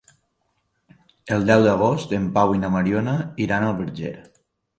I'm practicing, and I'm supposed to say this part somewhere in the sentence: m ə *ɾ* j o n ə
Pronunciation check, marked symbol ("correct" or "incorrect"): correct